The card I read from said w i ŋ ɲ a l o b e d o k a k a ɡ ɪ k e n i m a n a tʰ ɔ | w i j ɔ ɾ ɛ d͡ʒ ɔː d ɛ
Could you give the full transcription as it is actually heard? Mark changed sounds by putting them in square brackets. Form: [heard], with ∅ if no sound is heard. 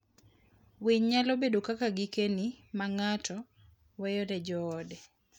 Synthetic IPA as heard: w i [ɲ] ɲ a l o b e d o k a k a ɡ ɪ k e n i m a [ŋ] a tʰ ɔ | w [ɛ] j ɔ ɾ ɛ d͡ʒ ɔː d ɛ